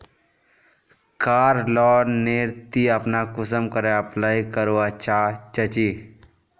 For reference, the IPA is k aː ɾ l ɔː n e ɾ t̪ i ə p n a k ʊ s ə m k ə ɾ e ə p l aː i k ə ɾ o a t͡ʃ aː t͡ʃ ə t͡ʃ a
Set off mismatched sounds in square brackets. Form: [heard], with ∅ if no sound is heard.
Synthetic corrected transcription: k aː ɾ l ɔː n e ɾ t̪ i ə p n a k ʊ s ə m k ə ɾ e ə p l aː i k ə ɾ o a t͡ʃ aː t͡ʃ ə t͡ʃ [i]